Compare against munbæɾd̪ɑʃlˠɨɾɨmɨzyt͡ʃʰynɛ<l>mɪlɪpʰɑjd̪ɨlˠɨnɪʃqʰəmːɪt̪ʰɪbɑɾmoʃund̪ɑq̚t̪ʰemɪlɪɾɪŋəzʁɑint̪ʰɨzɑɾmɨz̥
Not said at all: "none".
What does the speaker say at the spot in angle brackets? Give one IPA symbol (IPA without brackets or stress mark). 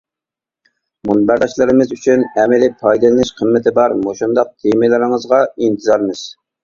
none